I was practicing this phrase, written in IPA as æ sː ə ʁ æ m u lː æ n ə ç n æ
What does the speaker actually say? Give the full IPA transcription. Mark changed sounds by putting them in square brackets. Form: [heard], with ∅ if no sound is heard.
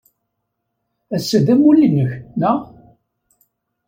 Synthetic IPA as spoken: æ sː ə [ð] æ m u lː [i] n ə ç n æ